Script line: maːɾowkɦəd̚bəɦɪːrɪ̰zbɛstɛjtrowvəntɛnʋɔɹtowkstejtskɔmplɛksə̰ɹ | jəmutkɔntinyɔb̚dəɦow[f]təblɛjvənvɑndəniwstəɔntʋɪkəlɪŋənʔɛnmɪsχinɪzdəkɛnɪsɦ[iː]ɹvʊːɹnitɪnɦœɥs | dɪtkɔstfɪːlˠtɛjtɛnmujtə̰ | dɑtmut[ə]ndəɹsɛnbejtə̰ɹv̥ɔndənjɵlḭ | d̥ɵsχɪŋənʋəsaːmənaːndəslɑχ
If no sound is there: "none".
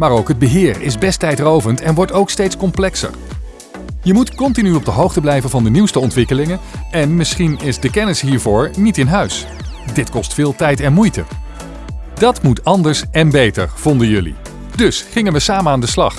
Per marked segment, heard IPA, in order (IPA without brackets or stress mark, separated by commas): χ, iː, ɑ